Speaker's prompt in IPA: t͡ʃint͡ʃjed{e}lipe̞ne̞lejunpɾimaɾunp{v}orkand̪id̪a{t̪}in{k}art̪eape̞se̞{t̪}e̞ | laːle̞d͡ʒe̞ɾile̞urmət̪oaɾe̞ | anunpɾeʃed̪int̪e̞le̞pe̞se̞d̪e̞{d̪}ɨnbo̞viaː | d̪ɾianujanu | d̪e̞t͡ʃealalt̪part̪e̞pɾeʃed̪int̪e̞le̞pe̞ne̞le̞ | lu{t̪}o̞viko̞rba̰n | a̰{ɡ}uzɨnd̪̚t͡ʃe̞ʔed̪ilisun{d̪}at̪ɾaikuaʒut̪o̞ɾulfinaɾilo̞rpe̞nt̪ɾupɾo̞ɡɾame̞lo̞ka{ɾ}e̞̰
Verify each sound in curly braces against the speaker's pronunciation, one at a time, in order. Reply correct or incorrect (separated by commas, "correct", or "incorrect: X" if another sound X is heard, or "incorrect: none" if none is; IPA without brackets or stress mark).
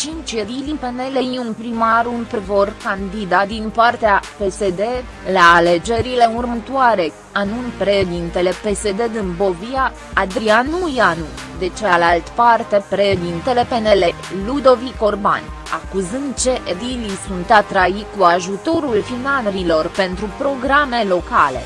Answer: incorrect: i, correct, incorrect: d̪, incorrect: p, incorrect: d̪, correct, incorrect: d̪, incorrect: k, incorrect: t̪, incorrect: l